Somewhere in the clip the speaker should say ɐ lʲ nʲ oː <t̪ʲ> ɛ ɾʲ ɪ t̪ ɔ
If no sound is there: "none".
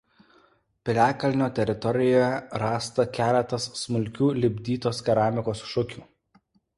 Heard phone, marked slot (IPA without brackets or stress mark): t̪ʲ